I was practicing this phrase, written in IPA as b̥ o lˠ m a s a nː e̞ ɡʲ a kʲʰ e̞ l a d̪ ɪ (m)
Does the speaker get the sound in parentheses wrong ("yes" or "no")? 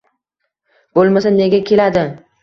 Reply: yes